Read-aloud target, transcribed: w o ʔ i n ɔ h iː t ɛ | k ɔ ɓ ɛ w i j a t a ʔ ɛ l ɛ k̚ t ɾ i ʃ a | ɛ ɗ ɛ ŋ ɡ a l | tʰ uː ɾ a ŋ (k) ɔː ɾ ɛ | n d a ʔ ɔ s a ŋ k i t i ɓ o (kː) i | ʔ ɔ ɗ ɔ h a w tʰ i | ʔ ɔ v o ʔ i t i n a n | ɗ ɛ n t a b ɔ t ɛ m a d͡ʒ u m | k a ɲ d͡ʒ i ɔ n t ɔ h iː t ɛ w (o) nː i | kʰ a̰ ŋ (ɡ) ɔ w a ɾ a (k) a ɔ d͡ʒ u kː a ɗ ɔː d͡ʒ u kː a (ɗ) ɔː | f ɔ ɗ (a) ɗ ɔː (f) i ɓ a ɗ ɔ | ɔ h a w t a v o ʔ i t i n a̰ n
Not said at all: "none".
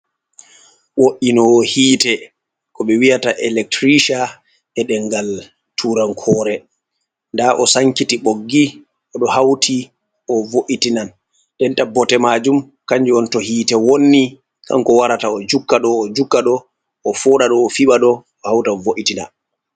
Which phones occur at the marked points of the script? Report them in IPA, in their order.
kʰ, ɡː, o, k, t, ɗ, a, f

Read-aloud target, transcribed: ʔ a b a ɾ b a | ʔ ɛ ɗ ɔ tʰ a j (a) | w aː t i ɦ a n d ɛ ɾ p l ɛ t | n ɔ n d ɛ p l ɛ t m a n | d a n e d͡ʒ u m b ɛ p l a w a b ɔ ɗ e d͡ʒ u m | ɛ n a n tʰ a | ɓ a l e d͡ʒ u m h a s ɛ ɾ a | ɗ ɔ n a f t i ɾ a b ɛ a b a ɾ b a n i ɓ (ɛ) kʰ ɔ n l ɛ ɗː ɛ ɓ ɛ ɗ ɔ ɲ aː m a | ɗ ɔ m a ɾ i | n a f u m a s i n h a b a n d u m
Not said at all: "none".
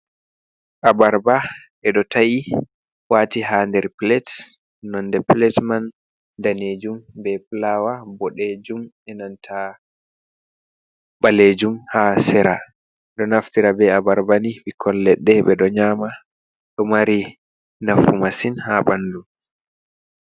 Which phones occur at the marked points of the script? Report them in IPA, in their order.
i, i

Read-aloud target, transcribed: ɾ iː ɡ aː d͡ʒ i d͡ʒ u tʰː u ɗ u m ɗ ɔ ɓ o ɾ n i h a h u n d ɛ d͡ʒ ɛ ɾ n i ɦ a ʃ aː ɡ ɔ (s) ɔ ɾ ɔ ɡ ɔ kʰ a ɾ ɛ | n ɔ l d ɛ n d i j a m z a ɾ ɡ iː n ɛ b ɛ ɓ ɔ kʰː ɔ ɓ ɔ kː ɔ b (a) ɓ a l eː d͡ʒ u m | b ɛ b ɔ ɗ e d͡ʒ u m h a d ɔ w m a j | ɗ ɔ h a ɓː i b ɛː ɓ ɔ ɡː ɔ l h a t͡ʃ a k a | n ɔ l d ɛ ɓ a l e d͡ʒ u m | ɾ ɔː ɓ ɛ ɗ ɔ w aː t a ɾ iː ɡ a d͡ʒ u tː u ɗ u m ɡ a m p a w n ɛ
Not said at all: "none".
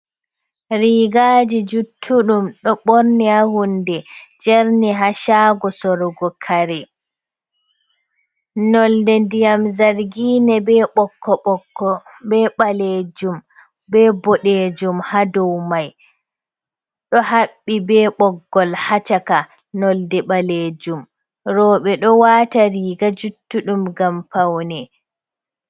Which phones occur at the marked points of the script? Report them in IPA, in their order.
s, ɛ

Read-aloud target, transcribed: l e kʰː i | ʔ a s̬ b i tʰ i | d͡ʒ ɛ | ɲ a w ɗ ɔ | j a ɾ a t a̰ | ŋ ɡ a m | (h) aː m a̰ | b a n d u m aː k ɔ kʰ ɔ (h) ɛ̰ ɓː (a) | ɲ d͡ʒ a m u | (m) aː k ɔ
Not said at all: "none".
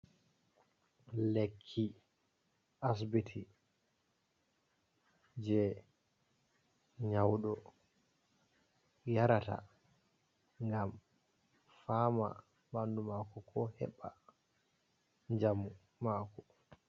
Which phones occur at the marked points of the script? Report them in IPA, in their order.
f, h, a, m

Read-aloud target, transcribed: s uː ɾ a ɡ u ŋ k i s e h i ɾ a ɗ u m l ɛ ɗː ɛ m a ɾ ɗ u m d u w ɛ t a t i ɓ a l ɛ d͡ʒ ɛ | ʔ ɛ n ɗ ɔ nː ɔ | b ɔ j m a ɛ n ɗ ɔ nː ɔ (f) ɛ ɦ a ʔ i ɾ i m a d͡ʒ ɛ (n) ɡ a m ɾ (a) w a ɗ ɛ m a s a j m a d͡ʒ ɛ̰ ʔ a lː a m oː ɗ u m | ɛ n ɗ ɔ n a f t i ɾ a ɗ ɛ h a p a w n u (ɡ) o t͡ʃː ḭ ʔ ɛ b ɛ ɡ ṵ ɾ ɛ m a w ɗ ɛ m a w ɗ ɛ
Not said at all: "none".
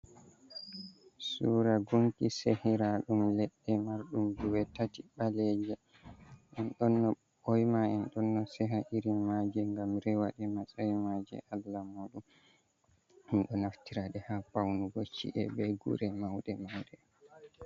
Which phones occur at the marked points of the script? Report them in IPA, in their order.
s, ŋ, ɛ, ɡ

